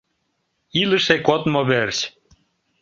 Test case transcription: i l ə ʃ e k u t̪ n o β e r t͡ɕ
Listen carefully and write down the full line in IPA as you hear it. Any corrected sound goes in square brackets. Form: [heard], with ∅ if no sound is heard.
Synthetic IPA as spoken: i l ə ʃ e k [o] t̪ [m] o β e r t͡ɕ